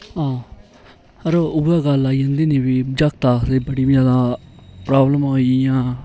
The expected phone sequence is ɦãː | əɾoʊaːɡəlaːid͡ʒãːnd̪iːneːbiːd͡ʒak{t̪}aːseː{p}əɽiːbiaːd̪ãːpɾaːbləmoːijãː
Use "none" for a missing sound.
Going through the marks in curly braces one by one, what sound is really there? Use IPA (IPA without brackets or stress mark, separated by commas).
t̪, b